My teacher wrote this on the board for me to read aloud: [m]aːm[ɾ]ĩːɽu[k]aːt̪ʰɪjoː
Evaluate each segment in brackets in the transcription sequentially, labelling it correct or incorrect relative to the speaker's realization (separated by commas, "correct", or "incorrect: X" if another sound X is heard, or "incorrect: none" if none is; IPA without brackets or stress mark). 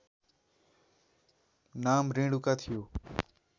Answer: incorrect: n, correct, correct